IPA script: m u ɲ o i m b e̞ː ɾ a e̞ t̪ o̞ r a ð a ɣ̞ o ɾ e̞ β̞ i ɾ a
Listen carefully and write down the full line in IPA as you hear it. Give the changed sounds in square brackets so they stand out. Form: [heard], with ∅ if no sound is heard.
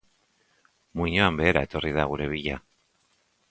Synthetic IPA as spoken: m u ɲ o [a] m b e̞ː ɾ a e̞ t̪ o̞ r [i] ð a ɣ̞ [u] ɾ e̞ β̞ i [ʎ] a